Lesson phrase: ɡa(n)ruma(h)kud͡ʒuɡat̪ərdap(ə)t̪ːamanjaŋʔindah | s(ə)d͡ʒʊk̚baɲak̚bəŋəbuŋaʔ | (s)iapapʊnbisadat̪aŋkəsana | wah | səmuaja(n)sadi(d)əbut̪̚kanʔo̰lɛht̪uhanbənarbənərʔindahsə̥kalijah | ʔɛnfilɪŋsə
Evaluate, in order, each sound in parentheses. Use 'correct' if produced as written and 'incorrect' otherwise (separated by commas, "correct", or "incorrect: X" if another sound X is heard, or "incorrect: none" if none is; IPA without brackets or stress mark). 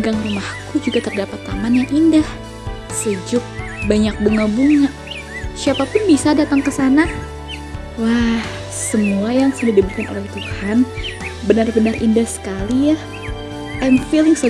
incorrect: ŋ, correct, incorrect: a, correct, correct, incorrect: ŋ, correct